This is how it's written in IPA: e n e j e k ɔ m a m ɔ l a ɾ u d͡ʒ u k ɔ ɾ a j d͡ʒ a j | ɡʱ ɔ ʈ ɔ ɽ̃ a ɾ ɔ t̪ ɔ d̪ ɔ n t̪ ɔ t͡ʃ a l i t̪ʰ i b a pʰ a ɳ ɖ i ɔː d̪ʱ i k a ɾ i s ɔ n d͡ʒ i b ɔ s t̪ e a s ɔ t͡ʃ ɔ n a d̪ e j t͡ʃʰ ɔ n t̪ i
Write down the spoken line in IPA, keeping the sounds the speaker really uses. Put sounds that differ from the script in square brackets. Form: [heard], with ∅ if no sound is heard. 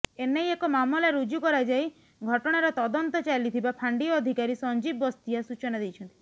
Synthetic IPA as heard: e n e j e k ɔ m a m ɔ l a ɾ u d͡ʒ u k ɔ ɾ a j d͡ʒ a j | ɡʱ ɔ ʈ ɔ ɽ̃ a ɾ ɔ t̪ ɔ d̪ ɔ n t̪ ɔ t͡ʃ a l i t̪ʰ i b a pʰ a ɳ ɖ i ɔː d̪ʱ i k a ɾ i s ɔ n d͡ʒ i b ɔ s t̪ [i] a s [u] t͡ʃ ɔ n a d̪ e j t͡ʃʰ ɔ n t̪ i